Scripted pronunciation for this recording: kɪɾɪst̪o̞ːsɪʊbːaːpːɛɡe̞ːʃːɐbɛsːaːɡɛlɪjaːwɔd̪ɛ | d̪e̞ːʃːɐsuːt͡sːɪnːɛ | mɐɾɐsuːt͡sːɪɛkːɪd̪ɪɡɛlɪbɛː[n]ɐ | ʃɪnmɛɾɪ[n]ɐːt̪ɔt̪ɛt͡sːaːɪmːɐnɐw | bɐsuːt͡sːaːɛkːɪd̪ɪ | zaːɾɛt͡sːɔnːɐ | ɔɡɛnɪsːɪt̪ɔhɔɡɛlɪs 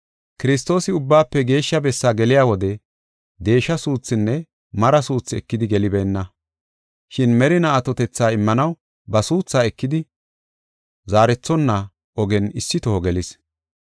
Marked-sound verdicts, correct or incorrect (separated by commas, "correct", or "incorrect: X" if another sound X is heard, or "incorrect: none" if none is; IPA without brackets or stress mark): incorrect: nː, correct